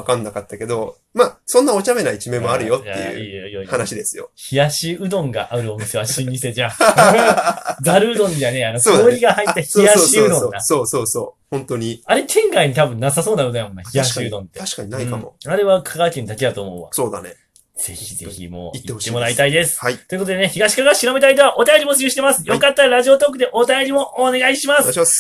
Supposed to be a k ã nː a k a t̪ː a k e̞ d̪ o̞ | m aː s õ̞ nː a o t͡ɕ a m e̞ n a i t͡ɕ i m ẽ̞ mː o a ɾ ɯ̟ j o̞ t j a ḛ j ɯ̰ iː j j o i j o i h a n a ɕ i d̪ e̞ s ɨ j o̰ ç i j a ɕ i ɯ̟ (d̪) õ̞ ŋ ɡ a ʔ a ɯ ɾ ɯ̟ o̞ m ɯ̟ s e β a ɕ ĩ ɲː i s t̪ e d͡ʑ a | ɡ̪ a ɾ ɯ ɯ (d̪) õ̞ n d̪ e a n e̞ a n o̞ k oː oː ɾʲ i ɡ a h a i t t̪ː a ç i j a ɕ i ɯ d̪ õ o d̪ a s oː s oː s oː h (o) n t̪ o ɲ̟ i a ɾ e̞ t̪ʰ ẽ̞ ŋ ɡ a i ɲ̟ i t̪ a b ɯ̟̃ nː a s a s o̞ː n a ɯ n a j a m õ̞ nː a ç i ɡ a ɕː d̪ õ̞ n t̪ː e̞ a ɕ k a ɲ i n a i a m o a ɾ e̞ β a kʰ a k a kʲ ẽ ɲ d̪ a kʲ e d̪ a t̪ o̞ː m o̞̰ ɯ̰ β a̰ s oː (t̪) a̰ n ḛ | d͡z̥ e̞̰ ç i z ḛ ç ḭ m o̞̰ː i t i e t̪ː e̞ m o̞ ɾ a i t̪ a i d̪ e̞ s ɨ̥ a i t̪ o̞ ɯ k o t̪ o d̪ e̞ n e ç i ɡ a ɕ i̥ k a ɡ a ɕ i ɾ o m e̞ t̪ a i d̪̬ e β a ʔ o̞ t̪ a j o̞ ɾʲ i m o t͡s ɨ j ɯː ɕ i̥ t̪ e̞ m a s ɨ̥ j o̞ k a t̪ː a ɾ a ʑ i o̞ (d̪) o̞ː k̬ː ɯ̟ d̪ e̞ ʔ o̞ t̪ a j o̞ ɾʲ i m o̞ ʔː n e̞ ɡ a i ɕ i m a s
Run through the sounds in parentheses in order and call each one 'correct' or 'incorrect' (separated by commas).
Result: correct, correct, incorrect, incorrect, incorrect